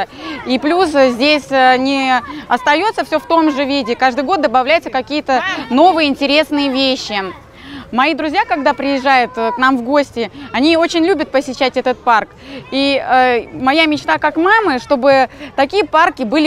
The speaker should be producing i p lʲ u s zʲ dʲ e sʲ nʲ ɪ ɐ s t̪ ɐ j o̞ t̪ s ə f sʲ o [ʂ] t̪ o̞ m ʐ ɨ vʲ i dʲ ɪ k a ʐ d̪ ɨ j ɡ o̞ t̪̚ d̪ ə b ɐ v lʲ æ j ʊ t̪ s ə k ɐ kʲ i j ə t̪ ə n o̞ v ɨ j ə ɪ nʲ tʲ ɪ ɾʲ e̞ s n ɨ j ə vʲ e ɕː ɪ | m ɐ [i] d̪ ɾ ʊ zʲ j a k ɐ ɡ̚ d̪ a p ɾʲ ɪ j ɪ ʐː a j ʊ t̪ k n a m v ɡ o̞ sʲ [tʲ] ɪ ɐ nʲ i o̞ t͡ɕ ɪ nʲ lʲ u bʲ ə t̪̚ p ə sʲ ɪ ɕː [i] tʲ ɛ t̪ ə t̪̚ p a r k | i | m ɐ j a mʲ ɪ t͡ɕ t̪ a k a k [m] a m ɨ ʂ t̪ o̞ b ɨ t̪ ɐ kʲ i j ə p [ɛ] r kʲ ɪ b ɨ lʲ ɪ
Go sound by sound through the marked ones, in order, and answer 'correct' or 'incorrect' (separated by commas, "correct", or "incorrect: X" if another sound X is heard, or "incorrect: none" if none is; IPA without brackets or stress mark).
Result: incorrect: f, correct, correct, incorrect: æ, correct, incorrect: a